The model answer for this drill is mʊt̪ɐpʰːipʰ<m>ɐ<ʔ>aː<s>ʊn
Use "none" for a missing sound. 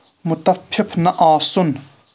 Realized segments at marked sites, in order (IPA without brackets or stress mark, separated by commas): n, ʔ, s